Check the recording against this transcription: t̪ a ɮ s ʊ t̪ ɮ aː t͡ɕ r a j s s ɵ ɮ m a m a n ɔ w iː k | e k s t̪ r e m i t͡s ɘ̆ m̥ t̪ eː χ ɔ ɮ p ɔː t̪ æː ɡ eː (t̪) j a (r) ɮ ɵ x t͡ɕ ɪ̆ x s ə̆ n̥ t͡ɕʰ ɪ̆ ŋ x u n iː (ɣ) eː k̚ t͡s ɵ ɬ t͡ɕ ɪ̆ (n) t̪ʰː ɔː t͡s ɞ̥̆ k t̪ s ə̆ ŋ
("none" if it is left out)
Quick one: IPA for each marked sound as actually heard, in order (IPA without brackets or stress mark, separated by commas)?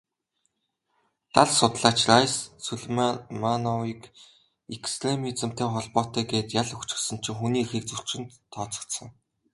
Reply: t̪, none, x, n